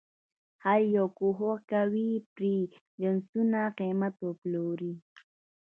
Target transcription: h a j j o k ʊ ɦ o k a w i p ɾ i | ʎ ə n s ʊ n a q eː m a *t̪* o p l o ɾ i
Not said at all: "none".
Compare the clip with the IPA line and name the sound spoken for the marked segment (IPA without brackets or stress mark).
t̪